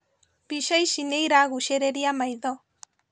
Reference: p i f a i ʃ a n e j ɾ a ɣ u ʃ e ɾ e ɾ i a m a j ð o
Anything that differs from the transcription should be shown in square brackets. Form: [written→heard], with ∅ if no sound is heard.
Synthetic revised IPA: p i [f→ʃ] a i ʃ [a→i] n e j ɾ a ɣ u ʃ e ɾ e ɾ i a m a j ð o